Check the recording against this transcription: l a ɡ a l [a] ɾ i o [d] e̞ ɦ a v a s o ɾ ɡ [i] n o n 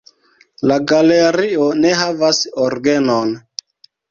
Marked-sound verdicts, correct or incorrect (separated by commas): incorrect, incorrect, incorrect